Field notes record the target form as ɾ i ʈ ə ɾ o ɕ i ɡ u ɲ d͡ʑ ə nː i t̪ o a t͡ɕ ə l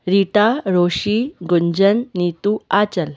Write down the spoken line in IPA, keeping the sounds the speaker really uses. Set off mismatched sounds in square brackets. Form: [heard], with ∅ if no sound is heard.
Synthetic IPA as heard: ɾ i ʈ [a] ɾ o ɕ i ɡ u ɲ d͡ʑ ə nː i t̪ [u] a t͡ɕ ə l